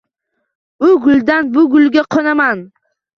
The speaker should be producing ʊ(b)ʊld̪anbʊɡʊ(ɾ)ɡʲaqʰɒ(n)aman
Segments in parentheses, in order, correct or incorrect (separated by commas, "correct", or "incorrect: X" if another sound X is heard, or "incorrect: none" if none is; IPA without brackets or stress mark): incorrect: ɡ, incorrect: l, correct